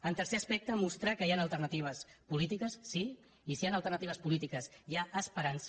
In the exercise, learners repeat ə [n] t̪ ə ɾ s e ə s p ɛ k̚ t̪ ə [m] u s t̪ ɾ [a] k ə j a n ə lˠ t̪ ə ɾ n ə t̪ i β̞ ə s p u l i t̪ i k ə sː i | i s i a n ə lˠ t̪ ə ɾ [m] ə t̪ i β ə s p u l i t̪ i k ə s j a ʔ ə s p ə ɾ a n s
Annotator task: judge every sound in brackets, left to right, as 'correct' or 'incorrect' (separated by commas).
correct, correct, correct, incorrect